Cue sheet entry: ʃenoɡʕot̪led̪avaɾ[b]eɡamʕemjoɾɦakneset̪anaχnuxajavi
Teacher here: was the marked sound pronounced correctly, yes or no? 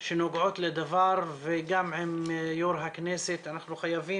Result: no